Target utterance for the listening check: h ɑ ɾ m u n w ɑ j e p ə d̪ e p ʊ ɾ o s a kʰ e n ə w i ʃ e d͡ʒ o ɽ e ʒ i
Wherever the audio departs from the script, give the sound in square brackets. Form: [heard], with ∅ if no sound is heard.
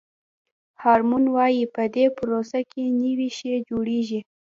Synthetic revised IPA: h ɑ ɾ m u n w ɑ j [i] p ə d̪ e p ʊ ɾ o s a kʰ e n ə w i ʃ e d͡ʒ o ɽ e ʒ i